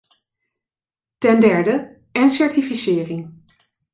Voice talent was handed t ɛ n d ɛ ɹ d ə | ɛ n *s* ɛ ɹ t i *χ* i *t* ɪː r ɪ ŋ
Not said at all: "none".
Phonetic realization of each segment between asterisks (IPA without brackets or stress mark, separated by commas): s, f, s